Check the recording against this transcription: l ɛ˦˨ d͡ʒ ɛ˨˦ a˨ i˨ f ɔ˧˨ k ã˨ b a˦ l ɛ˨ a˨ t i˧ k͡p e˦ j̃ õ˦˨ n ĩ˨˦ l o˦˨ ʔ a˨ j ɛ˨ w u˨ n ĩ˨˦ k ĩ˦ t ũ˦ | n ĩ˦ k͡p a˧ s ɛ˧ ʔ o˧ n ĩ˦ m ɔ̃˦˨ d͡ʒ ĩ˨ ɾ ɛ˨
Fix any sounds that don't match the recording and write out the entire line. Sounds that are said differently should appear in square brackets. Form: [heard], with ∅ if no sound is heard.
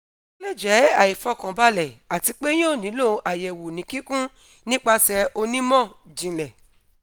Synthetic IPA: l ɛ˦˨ d͡ʒ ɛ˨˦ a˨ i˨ f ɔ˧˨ k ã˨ b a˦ l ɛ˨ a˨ t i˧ k͡p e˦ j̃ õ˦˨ n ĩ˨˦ l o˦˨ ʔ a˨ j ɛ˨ w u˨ n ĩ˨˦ k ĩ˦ [k] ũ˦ | n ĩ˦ k͡p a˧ s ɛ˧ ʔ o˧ n ĩ˦ m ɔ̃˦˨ d͡ʒ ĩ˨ [l] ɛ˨